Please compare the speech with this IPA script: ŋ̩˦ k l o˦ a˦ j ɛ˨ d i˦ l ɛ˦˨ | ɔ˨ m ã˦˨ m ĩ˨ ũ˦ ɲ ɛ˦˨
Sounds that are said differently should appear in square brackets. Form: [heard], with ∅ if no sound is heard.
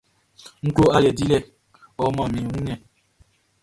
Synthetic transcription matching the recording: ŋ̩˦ k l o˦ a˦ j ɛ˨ d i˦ l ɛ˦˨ | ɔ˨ m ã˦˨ m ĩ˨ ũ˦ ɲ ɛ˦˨